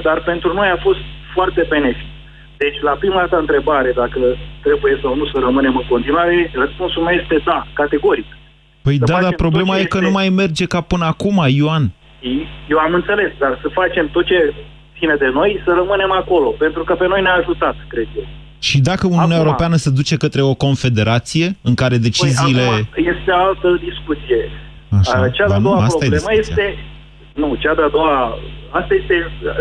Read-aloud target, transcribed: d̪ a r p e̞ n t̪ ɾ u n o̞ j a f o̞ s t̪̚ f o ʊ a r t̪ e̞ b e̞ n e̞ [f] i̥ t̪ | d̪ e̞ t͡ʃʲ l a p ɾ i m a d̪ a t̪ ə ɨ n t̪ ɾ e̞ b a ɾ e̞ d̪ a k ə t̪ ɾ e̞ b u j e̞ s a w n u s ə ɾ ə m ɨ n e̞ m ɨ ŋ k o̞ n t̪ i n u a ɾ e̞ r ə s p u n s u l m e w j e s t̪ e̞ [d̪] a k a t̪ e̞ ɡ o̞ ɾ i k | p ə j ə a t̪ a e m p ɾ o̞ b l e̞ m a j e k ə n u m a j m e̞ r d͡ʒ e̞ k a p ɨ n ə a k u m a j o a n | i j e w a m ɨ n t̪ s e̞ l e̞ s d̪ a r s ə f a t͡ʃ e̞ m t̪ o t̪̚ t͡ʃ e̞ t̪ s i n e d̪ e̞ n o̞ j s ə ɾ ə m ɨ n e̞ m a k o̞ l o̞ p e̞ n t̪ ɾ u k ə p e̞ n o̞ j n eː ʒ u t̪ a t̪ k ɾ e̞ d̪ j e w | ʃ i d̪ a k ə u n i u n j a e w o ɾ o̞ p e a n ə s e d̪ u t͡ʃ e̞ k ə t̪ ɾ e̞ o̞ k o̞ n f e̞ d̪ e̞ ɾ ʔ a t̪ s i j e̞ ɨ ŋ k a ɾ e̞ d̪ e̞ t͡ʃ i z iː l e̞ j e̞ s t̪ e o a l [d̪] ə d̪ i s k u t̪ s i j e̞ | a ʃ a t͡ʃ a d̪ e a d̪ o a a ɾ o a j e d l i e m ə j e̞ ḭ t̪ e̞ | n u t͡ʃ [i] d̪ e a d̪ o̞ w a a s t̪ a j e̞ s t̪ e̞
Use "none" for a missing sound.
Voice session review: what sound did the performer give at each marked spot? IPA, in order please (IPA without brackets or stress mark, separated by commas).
f, d̪, t̪, a